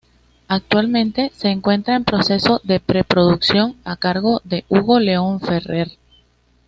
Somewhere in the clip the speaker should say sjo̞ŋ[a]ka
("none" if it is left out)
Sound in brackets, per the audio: a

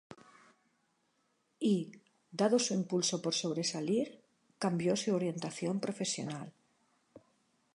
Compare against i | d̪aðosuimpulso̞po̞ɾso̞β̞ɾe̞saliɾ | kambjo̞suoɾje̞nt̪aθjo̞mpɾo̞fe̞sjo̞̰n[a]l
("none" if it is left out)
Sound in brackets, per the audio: a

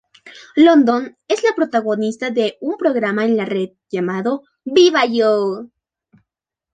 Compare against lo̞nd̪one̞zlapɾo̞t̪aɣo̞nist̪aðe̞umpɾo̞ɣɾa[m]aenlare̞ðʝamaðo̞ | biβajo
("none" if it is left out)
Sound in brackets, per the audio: m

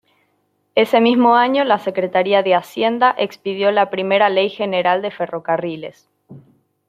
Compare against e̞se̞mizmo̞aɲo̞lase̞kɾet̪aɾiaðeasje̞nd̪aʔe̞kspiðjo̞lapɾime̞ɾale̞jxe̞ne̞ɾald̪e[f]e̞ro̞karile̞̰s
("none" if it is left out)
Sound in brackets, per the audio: f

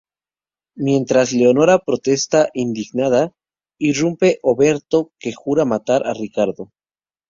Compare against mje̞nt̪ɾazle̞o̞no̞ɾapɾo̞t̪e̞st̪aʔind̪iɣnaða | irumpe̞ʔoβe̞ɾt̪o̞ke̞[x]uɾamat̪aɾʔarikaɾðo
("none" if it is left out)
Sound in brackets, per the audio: x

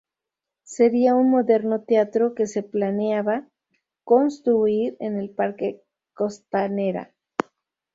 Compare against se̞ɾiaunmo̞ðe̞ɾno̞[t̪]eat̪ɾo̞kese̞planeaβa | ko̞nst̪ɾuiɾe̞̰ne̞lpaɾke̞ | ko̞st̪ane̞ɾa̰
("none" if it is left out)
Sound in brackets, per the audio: t̪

